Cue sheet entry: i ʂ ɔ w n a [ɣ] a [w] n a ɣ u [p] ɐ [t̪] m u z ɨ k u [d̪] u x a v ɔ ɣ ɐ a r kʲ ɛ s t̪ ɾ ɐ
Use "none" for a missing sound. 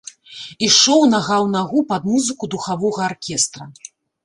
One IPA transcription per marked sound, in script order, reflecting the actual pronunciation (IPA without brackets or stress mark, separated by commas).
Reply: ɣ, w, p, d̪, d̪